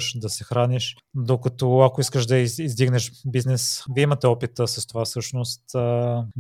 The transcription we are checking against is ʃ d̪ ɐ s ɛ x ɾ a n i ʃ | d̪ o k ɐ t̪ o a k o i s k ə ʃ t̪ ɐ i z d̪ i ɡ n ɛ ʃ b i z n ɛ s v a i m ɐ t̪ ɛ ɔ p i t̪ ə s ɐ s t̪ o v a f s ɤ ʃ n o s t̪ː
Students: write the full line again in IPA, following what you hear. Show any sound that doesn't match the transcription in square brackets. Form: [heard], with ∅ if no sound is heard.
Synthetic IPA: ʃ d̪ ɐ s ɛ x ɾ a n i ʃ | d̪ o k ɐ t̪ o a k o i s k ə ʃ [d̪] ɐ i z d̪ i ɡ n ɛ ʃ b i z n ɛ s v [i] i m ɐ t̪ ɛ ɔ p i t̪ ə s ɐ s t̪ o v a f s ɤ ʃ n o s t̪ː